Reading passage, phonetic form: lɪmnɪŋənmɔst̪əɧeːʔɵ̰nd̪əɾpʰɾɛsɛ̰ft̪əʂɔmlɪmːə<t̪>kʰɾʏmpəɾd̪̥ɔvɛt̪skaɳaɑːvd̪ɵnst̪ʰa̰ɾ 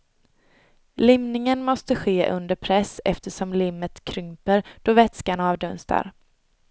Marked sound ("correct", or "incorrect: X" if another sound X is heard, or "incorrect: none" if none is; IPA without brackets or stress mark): correct